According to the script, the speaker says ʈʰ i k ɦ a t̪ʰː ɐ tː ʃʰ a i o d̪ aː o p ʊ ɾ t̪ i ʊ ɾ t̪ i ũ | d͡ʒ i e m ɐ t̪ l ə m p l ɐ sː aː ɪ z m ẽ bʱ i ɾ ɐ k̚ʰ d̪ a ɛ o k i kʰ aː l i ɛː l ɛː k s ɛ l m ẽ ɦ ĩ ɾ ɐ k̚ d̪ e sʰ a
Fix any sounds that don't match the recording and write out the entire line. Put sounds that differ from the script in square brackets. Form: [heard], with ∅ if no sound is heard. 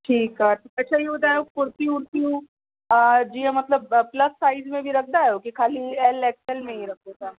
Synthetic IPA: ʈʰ [iː] k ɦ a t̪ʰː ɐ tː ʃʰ a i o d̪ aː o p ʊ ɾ t̪ i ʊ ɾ t̪ i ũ | d͡ʒ i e m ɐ t̪ l ə [b] p l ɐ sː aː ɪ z m ẽ bʱ i ɾ ɐ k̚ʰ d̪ a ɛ o k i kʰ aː l i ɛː l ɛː k s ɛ l m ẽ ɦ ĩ ɾ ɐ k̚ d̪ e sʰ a

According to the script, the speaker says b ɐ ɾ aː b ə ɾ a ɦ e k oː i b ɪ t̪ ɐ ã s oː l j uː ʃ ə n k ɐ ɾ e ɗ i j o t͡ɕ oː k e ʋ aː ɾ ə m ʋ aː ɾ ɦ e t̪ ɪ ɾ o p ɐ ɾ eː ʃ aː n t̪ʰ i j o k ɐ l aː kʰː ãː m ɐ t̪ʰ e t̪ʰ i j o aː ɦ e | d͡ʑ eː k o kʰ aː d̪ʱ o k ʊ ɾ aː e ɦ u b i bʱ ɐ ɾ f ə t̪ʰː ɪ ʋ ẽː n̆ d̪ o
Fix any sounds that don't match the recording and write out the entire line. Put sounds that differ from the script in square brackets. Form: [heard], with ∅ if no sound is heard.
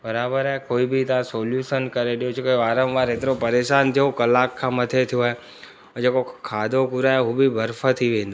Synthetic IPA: b ɐ ɾ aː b ə ɾ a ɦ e k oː i b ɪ t̪ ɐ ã s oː l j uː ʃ ə n k ɐ ɾ e ɗ i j o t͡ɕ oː k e ʋ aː ɾ ə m ʋ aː ɾ ɦ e t̪ ɪ ɾ o p ɐ ɾ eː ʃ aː n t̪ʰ i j o k ɐ l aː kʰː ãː m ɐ t̪ʰ e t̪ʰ i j o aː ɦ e | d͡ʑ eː k o kʰ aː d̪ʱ o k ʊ ɾ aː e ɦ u b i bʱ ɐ ɾ f ə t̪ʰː [i] ʋ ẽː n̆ d̪ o

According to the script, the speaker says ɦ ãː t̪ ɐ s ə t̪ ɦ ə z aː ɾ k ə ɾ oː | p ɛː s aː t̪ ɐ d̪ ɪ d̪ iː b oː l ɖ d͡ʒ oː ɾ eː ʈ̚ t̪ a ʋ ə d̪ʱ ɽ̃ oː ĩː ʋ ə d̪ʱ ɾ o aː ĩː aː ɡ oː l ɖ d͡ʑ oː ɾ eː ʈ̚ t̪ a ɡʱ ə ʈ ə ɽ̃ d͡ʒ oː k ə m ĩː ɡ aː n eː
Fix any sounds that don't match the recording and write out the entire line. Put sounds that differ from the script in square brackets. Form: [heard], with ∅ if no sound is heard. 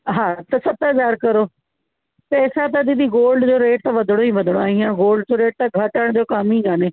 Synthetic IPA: ɦ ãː t̪ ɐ s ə t̪ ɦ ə z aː ɾ k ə ɾ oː | p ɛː s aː t̪ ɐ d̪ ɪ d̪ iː [ɡ] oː l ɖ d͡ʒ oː ɾ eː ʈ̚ t̪ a ʋ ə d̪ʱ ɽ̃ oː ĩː ʋ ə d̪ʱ [ɽ] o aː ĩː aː ɡ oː l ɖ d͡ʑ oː ɾ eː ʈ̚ t̪ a ɡʱ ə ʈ ə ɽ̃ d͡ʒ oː k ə m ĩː ɡ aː n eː

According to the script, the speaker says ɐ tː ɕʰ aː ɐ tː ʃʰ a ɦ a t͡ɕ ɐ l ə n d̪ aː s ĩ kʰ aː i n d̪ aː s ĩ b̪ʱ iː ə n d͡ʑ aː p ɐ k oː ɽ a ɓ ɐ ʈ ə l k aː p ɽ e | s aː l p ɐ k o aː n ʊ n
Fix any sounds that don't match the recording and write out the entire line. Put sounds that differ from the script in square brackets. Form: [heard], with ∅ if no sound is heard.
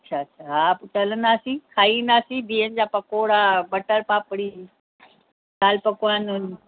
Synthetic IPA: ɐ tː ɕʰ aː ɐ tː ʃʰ a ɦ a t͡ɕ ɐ l ə n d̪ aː s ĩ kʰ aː i n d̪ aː s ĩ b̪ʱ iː ə n d͡ʑ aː p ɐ k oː ɽ a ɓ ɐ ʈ ə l [p] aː p ɽ [i] | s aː l p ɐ k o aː n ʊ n

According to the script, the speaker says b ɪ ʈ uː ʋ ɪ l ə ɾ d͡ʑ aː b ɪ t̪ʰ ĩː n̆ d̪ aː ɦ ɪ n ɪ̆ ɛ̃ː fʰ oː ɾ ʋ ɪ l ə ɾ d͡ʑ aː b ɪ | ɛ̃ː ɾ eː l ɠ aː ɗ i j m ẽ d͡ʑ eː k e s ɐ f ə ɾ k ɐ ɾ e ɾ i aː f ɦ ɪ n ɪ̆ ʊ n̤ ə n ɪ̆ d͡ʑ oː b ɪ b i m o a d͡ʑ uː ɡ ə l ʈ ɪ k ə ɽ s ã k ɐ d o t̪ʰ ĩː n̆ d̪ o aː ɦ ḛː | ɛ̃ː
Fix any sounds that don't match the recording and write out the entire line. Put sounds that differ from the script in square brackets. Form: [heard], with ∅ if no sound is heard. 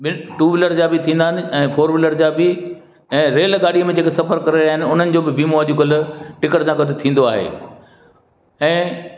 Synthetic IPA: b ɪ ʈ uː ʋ ɪ l ə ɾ d͡ʑ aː b ɪ t̪ʰ ĩː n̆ d̪ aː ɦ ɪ n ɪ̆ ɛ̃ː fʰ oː ɾ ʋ ɪ l ə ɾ d͡ʑ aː b ɪ | ɛ̃ː ɾ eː l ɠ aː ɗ i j m ẽ d͡ʑ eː k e s ɐ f ə ɾ k ɐ ɾ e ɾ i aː [∅] ɦ ɪ n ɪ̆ ʊ n̤ ə n ɪ̆ d͡ʑ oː b ɪ b i m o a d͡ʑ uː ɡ ə l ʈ ɪ k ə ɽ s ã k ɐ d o t̪ʰ ĩː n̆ d̪ o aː ɦ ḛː | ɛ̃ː

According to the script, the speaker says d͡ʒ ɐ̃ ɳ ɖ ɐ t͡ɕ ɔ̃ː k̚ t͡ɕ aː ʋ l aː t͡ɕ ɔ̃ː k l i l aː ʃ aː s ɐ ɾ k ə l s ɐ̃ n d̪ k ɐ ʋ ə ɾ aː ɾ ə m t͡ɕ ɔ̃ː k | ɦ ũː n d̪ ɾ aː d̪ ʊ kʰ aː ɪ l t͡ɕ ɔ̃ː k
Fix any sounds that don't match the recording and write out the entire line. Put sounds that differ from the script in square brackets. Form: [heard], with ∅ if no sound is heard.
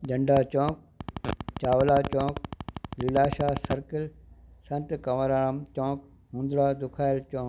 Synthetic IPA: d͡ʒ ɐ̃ ɳ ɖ [a] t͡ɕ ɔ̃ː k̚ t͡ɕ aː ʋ l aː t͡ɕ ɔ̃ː k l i l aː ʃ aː s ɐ ɾ k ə l s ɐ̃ n [t̪] k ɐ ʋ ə ɾ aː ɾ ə m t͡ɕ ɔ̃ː k | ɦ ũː n d̪ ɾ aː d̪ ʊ kʰ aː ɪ l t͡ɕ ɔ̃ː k

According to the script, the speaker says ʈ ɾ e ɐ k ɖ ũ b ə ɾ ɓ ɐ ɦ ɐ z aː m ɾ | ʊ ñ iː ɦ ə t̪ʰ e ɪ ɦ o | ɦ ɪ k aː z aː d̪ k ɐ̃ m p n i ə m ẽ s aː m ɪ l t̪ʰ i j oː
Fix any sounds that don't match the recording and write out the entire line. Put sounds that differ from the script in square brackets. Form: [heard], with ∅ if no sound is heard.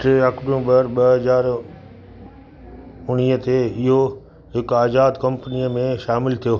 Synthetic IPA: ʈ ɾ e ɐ k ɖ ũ b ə ɾ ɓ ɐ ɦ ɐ z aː [∅] ɾ | ʊ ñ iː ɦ ə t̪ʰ e ɪ ɦ o | ɦ ɪ k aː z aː d̪ k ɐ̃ m p n i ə m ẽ [ʃ] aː m ɪ l t̪ʰ i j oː

